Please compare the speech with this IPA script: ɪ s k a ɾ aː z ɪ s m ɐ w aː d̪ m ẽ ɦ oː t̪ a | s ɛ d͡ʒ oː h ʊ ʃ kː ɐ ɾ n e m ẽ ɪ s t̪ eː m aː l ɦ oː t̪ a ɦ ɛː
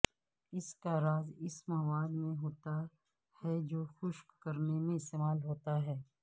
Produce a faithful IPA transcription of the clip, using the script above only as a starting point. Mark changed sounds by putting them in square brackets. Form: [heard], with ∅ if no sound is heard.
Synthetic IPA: ɪ s k a ɾ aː z ɪ s m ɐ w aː d̪ m ẽ ɦ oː t̪ a | [h] ɛ d͡ʒ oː [x] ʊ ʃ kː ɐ ɾ n e m ẽ ɪ s t̪ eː m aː l ɦ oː t̪ a ɦ ɛː